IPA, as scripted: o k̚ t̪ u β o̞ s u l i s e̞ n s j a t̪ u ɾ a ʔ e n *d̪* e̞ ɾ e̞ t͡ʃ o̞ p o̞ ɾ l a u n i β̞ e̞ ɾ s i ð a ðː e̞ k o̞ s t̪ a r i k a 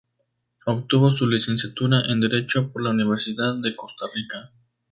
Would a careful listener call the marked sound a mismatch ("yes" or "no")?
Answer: no